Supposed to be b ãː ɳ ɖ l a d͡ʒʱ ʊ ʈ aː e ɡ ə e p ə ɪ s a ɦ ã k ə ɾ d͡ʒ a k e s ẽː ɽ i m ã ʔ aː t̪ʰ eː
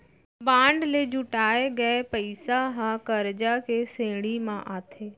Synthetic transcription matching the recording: b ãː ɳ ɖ l e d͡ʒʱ ʊ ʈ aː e ɡ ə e p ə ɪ s a ɦ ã k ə ɾ d͡ʒ a k e s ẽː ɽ i m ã ʔ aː t̪ʰ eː